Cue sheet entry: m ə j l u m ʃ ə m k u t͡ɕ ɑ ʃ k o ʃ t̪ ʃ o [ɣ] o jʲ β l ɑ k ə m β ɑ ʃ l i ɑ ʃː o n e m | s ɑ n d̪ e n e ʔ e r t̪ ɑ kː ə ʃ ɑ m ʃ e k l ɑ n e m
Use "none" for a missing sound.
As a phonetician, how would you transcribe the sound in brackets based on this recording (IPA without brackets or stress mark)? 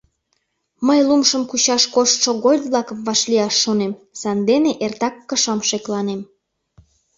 ɣ